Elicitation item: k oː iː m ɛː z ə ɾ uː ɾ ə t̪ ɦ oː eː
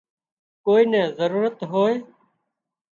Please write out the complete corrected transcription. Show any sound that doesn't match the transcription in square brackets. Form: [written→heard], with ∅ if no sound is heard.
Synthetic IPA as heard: k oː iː [m→n] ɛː z ə ɾ uː ɾ ə t̪ ɦ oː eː